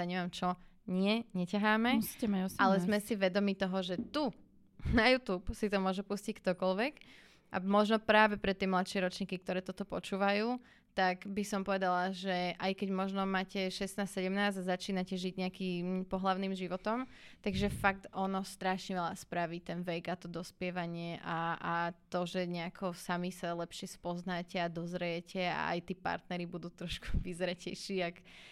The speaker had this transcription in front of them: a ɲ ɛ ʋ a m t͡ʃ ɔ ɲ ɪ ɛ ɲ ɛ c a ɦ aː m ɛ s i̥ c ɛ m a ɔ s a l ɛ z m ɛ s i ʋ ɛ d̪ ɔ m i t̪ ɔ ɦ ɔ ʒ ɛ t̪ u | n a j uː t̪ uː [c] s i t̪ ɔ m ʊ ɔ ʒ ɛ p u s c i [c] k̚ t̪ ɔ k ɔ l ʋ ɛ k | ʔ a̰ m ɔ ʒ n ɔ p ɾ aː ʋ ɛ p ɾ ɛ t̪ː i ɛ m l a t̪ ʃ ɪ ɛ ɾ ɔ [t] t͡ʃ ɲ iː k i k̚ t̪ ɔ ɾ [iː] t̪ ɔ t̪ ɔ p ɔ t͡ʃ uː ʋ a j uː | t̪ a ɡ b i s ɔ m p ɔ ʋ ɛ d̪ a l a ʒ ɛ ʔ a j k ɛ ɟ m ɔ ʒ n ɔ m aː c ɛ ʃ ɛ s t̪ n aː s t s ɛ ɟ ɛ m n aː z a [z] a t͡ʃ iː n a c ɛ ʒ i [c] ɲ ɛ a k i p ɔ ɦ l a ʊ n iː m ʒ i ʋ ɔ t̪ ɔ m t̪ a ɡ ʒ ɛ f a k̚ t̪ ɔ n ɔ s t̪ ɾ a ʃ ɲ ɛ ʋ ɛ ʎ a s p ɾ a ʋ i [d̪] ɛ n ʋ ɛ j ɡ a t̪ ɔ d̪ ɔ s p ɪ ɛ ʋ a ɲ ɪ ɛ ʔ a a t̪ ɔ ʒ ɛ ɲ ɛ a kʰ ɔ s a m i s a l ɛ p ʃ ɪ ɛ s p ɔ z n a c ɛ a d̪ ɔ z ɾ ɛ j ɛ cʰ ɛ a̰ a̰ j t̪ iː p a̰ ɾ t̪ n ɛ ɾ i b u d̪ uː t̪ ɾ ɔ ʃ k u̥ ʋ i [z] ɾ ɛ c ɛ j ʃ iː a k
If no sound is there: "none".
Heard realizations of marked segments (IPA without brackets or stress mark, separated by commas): p, c, t, ɛː, z, ɟ, t̪, z